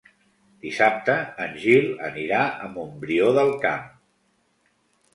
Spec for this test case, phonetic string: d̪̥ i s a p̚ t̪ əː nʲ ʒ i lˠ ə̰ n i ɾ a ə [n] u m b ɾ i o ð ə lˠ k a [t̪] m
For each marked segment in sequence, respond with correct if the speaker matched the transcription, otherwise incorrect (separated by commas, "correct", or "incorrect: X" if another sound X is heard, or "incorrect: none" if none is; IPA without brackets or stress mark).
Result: incorrect: m, incorrect: none